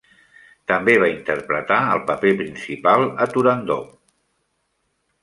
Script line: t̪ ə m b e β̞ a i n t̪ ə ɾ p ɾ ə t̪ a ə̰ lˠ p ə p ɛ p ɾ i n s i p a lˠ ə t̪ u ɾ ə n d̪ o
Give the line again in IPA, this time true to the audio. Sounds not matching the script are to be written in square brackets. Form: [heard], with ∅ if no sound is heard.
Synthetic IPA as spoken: t̪ ə m b e β̞ a i n t̪ ə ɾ p ɾ ə t̪ a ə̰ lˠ p ə p [e] p ɾ i n s i p a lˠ ə t̪ u ɾ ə n d̪ o